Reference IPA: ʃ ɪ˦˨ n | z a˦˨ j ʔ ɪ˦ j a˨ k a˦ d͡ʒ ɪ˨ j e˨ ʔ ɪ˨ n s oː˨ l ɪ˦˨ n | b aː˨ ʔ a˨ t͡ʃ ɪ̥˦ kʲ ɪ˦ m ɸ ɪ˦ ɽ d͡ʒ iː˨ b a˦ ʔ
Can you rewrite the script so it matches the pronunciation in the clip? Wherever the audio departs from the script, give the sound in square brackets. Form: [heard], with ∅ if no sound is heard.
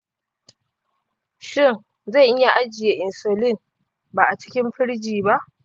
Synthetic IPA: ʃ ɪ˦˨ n | z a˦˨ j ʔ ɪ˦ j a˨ [ʔ] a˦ d͡ʒ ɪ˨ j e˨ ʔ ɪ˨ n s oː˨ l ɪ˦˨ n | b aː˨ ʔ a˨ t͡ʃ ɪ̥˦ kʲ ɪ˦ m ɸ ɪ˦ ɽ d͡ʒ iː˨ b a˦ ʔ